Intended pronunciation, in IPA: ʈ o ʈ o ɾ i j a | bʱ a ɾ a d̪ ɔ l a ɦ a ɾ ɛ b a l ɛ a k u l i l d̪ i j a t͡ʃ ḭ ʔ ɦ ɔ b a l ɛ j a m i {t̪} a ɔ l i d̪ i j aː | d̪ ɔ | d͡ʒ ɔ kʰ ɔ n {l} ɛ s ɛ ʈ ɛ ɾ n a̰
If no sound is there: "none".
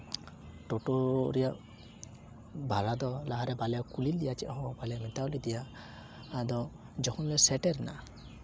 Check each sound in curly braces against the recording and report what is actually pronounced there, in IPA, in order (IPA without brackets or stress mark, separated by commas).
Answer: t̪, l